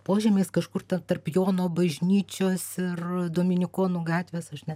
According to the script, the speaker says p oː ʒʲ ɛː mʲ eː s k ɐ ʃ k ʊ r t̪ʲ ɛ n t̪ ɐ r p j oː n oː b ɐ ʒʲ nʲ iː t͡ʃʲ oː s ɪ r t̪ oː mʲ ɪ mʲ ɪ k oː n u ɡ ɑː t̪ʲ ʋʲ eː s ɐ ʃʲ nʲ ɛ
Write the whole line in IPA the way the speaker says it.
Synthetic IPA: p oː ʒʲ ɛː mʲ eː s k ɐ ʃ k ʊ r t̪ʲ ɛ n t̪ ɐ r p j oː n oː b ɐ ʒʲ nʲ iː t͡ʃʲ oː s ɪ r d̪ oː mʲ ɪ nʲ ɪ k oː n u ɡ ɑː t̪ʲ ʋʲ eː s ɐ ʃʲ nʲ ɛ